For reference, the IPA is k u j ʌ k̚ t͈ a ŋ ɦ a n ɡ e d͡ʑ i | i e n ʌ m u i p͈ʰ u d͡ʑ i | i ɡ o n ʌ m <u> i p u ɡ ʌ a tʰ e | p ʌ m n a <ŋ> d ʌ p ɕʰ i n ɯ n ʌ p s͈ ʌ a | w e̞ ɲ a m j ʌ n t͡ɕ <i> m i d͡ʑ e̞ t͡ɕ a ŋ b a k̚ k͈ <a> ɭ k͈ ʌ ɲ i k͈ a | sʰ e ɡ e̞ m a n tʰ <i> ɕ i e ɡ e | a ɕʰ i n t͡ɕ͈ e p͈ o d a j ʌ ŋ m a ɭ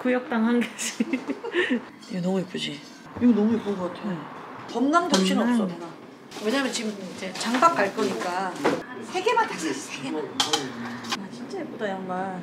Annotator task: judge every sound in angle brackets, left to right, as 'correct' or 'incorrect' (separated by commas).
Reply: correct, correct, correct, correct, incorrect